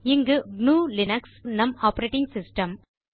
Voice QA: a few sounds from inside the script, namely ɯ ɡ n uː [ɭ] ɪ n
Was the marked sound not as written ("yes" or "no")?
yes